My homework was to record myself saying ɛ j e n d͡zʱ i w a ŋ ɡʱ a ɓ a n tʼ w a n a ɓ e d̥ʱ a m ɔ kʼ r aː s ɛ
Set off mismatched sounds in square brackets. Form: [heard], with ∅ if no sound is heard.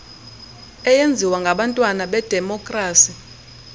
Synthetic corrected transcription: ɛ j e n d͡zʱ i w a ŋ ɡʱ a ɓ a n tʼ w a n a ɓ [ɛ] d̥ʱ [ɛ] m ɔ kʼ r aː s [i]